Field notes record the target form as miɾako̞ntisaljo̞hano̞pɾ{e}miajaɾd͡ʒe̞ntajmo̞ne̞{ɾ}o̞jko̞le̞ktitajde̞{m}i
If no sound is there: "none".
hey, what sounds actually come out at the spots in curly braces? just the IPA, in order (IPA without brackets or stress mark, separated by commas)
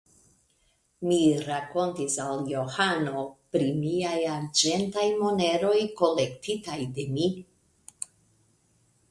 i, ɾ, m